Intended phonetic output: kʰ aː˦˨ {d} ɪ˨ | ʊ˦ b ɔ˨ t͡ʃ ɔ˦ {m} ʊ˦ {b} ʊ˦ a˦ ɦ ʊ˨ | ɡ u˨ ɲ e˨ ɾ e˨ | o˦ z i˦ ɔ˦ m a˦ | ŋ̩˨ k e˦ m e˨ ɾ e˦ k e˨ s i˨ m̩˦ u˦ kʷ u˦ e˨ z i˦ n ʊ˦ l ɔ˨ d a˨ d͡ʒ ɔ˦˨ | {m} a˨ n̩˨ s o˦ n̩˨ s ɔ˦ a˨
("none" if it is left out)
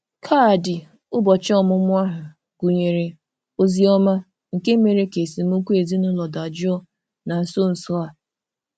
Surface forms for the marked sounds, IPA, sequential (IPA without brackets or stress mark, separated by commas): d, m, m, n